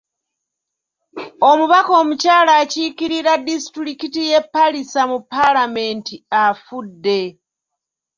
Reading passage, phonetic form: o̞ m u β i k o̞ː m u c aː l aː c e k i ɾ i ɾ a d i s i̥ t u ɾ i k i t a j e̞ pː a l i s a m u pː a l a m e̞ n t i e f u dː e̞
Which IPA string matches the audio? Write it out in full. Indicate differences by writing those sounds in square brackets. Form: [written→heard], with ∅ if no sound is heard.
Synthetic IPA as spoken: o̞ m u β [i→a] k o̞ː m u c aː l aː c [e→i] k i ɾ i ɾ a d i s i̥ t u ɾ i k i t [a→i] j e̞ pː a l i s a m u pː a l a m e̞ n t i [e→a] f u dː e̞